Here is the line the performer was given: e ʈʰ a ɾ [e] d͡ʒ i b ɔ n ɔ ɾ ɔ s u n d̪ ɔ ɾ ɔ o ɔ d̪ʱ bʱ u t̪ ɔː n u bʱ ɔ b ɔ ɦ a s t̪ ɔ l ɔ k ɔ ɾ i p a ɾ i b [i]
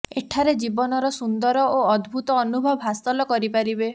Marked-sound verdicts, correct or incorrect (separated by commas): correct, incorrect